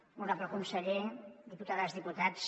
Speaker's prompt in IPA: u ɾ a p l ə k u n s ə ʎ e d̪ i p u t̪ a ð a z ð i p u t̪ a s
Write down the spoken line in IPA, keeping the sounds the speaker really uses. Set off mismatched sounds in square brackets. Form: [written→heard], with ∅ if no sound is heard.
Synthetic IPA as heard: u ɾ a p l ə k u n s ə ʎ e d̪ i p u t̪ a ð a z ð i p u t̪ a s